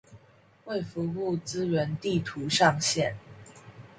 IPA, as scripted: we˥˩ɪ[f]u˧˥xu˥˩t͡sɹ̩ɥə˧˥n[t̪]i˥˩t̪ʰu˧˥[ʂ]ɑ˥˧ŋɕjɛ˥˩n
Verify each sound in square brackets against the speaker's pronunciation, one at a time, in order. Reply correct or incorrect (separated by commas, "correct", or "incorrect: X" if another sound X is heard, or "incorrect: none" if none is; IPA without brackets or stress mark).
correct, correct, correct